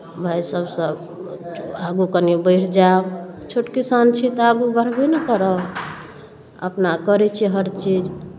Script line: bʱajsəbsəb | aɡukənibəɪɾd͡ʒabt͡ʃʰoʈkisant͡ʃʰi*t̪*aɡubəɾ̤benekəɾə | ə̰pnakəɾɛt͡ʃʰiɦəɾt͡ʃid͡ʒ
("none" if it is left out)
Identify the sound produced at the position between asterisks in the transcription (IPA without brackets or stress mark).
t̪